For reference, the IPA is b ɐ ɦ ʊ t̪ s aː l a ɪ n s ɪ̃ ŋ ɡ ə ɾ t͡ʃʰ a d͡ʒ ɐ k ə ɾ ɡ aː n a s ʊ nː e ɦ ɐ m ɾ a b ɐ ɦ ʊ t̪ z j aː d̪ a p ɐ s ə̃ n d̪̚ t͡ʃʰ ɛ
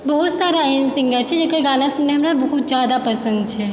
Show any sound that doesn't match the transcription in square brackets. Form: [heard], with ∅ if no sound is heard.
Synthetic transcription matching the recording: b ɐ ɦ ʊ t̪ s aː [ɾ] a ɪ n s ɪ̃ ŋ ɡ ə ɾ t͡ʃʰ [ɛ] d͡ʒ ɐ k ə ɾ ɡ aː n a s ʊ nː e ɦ ɐ m ɾ a b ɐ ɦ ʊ t̪ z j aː d̪ a p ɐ s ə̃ n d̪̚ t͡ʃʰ ɛ